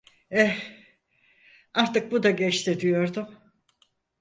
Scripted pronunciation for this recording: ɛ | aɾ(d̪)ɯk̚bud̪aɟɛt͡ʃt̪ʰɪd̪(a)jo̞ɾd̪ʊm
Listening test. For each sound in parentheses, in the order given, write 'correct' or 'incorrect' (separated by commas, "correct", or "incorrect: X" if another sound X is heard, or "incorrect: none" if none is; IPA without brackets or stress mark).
incorrect: t̪, incorrect: i